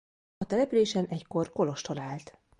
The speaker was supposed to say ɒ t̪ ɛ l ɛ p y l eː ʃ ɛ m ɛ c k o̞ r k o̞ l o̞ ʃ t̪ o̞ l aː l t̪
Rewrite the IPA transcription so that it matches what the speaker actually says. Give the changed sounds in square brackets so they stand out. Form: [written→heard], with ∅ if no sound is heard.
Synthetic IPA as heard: ɒ t̪ ɛ l ɛ p y l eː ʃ ɛ [m→n] ɛ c k o̞ r k o̞ l o̞ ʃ t̪ o̞ l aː l t̪

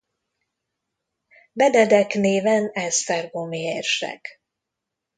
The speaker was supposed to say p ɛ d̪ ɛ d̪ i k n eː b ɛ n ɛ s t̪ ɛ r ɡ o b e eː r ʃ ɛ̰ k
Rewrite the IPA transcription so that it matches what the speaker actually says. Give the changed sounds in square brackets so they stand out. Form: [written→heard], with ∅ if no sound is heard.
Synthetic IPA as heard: [p→b] ɛ d̪ ɛ d̪ [i→ɛ] k n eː [b→v] ɛ n ɛ s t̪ ɛ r ɡ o [b→m] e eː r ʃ ɛ̰ k

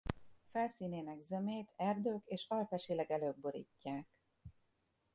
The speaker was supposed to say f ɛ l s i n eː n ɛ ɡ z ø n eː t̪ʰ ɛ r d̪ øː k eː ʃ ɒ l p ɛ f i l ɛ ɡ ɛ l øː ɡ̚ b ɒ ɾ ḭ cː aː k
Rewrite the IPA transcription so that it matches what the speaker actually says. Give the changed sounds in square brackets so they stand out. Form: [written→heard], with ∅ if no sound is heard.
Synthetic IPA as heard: f ɛ l s [i→iː] n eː n ɛ ɡ z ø [n→m] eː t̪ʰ ɛ r d̪ øː k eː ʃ ɒ l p ɛ [f→ʃ] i l ɛ ɡ ɛ l øː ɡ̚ b [ɒ→o] ɾ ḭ cː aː k

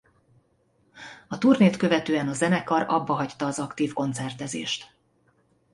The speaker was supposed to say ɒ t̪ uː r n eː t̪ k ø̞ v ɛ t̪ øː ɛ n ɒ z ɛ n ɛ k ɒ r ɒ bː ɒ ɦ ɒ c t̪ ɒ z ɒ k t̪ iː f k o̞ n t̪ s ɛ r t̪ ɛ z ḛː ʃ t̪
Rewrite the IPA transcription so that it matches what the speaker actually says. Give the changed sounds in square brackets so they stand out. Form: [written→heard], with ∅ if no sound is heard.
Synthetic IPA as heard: ɒ t̪ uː r n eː t̪ k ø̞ v ɛ t̪ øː ɛ n ɒ z ɛ n ɛ k ɒ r ɒ bː ɒ ɦ ɒ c t̪ [ɒ→ɒː] z ɒ k t̪ iː f k o̞ n t̪ s ɛ r t̪ ɛ z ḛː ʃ t̪

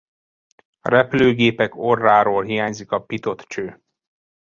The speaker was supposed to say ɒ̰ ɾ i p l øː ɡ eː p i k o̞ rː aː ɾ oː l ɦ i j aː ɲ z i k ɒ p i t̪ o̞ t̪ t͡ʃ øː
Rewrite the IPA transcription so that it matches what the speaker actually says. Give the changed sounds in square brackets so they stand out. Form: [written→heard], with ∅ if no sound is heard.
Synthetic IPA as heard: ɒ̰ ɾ [i→ɛ] p l øː ɡ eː p [i→ɛ] k o̞ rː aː ɾ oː l ɦ i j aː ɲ z i k ɒ p i t̪ o̞ t̪ t͡ʃ øː

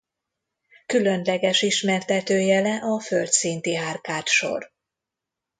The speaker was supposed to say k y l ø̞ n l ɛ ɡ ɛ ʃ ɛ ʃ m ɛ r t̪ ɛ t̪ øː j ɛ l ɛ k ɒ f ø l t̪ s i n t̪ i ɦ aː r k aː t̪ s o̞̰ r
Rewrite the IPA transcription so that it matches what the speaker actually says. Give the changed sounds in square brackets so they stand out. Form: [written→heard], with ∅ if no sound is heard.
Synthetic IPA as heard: k y l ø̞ n l ɛ ɡ ɛ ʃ [ɛ→i] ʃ m ɛ r t̪ ɛ t̪ øː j ɛ l ɛ [k→ʔ] ɒ f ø l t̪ s i n t̪ i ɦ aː r k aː t̪ [s→ʃ] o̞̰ r

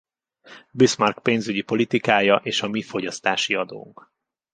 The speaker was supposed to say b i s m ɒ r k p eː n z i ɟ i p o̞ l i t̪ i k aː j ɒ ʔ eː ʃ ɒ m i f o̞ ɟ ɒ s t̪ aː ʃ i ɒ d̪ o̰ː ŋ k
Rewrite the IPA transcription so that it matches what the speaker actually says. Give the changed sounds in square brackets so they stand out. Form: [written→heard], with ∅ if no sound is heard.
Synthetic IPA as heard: b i s m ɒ r k p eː n z [i→y] ɟ i p o̞ l i t̪ i k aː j ɒ ʔ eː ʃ ɒ m i f o̞ ɟ ɒ s t̪ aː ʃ i ɒ d̪ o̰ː ŋ k

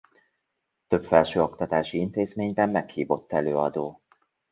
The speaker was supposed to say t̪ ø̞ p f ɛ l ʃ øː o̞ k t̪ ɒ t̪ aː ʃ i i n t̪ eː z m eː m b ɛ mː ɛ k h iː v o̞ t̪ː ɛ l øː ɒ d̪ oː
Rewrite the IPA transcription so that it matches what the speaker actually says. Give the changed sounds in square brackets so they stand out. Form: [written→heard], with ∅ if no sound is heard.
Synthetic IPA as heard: t̪ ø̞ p f ɛ l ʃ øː o̞ k t̪ ɒ t̪ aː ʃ i i n t̪ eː z m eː [m→ɲ] b ɛ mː ɛ k h iː v o̞ t̪ː ɛ l øː ɒ d̪ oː

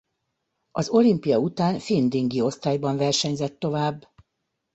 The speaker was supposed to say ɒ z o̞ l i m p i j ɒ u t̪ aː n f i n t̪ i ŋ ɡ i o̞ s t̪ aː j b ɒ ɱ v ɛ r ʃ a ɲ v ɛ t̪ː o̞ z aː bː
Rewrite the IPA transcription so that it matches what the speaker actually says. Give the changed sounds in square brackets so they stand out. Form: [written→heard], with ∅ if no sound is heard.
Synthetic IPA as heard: ɒ z o̞ l i m p i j ɒ u t̪ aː n f i n [t̪→d̪] i ŋ ɡ i o̞ s t̪ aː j b ɒ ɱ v ɛ r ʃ [a→ɛ] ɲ [v→z] ɛ t̪ː o̞ [z→v] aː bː

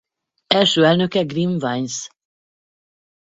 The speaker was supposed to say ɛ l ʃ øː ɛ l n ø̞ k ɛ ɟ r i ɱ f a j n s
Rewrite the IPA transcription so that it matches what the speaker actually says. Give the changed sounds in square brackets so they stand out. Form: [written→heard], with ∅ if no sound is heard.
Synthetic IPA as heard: ɛ l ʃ øː ɛ l n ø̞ k ɛ [ɟ→ɡ] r i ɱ [f→v] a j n s

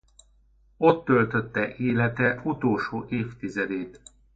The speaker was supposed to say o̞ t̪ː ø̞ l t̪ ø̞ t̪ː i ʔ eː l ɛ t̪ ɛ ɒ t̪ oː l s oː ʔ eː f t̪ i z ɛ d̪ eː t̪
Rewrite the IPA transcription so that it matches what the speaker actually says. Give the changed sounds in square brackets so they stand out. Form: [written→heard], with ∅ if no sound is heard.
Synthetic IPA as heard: o̞ t̪ː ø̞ l t̪ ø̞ t̪ː [i→ɛ] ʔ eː l ɛ t̪ ɛ [ɒ→u] t̪ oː l [s→ʃ] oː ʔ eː f t̪ i z ɛ d̪ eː t̪

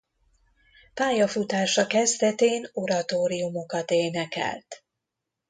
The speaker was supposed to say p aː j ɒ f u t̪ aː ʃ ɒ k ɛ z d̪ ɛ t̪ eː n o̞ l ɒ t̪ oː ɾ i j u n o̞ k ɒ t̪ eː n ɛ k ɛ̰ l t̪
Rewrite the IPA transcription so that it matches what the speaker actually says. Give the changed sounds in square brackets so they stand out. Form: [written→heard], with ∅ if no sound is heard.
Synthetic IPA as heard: p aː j ɒ f u t̪ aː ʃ ɒ k ɛ z d̪ ɛ t̪ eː n o̞ [l→ɾ] ɒ t̪ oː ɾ i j u [n→m] o̞ k ɒ t̪ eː n ɛ k ɛ̰ l t̪

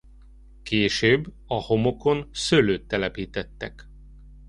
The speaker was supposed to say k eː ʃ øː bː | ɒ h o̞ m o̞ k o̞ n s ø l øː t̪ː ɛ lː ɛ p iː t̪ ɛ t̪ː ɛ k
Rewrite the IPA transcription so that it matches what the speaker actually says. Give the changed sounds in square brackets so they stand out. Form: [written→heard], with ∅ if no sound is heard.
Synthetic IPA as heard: k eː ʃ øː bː | ɒ h o̞ m o̞ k o̞ n s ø l øː t̪ː ɛ [lː→l] ɛ p iː t̪ ɛ t̪ː ɛ k

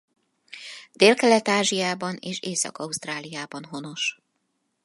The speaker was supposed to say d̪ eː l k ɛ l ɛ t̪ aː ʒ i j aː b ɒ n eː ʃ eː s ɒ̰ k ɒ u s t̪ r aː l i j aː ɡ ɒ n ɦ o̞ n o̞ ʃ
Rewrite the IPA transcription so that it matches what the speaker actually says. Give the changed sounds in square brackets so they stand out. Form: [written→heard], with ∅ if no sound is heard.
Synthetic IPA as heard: d̪ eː l k ɛ l ɛ t̪ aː ʒ i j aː b ɒ n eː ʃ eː s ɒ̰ k ɒ u s t̪ r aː l i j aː [ɡ→b] ɒ n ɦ o̞ n o̞ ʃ

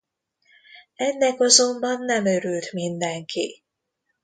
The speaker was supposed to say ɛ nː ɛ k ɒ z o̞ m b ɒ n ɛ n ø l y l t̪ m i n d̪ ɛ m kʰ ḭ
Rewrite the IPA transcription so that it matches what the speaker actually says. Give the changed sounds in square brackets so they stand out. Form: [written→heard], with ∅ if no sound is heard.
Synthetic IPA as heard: ɛ nː ɛ k ɒ z o̞ m b ɒ [n→nː] ɛ [n→m] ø [l→ɾ] y l t̪ m i n d̪ ɛ [m→ŋ] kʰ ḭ

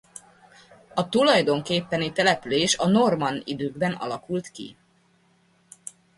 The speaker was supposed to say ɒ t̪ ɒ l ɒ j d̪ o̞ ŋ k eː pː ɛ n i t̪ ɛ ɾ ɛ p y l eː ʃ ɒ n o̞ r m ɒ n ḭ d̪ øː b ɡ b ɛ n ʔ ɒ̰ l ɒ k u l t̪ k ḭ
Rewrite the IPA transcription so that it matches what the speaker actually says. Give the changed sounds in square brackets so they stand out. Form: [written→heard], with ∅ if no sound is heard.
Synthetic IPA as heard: ɒ t̪ [ɒ→u] l ɒ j d̪ o̞ ŋ k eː pː ɛ n i t̪ ɛ [ɾ→l] ɛ p y l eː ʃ ɒ n o̞ r m ɒ n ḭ d̪ øː [b→∅] ɡ b ɛ n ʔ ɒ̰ l ɒ k u l t̪ k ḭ

